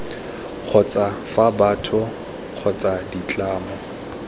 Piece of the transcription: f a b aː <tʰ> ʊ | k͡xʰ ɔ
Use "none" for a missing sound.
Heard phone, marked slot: tʰ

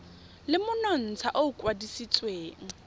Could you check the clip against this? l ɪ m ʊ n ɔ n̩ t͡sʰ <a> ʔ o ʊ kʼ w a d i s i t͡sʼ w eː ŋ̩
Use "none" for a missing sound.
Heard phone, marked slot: a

